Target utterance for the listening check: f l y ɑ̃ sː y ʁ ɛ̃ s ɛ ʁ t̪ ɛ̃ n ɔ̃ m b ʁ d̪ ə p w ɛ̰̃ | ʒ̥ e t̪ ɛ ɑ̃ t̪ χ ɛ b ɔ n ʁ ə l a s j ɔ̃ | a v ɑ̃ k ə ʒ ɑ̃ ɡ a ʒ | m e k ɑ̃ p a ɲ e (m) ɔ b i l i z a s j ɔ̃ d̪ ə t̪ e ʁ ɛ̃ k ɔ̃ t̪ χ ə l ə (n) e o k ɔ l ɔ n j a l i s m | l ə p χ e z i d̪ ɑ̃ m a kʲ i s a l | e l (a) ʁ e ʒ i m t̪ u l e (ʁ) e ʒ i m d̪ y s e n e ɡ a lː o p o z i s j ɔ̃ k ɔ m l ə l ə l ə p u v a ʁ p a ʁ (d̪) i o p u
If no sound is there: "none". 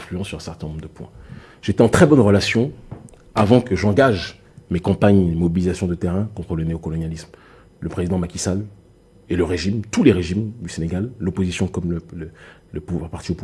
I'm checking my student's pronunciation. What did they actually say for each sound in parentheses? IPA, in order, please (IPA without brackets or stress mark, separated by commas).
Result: m, n, ə, ʁ, t̪